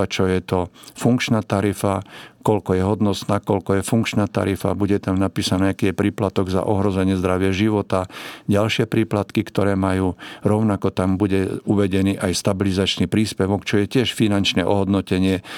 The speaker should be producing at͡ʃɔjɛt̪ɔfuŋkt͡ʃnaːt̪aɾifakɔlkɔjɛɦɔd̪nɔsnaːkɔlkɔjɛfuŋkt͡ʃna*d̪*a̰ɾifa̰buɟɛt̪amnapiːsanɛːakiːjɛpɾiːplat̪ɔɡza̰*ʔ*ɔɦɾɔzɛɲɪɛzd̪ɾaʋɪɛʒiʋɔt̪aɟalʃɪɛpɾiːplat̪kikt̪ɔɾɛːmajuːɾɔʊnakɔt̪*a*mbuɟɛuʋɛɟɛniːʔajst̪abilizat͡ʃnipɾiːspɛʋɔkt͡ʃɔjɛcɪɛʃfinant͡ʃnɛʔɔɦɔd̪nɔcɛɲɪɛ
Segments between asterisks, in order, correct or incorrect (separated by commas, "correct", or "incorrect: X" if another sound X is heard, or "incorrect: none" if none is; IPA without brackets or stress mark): incorrect: t̪, correct, correct